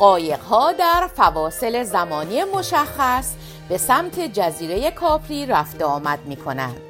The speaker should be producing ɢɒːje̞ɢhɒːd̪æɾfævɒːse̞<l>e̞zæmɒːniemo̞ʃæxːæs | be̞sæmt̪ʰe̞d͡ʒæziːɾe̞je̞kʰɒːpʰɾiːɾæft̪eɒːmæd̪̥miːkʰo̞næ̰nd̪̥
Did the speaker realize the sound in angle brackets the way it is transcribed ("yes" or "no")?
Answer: yes